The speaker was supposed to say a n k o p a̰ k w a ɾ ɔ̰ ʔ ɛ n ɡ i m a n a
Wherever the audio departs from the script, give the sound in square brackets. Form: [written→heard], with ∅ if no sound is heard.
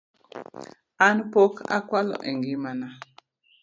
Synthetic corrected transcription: a n [k→p] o [p→k] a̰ k w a [ɾ→l] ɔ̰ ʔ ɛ [n→ŋ] ɡ i m a n a